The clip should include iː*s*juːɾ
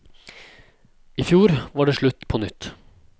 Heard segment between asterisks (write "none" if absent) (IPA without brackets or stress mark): f